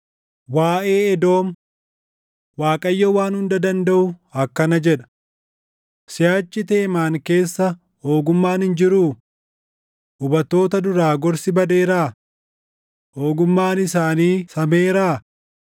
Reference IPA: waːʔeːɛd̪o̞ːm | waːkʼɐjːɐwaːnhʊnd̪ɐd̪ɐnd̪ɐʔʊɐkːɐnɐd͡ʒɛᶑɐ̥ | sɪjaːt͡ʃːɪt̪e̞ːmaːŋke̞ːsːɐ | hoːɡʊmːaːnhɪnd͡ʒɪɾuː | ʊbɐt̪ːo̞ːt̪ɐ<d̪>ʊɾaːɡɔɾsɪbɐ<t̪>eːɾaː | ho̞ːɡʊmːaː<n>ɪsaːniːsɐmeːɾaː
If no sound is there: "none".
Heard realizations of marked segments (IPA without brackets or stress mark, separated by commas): d̪, d̪, n